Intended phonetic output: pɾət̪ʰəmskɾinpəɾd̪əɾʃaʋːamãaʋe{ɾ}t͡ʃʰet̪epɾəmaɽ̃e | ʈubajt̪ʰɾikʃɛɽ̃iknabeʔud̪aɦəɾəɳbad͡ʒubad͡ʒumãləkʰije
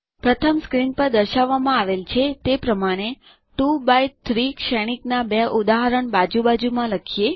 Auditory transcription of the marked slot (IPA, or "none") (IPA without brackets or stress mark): l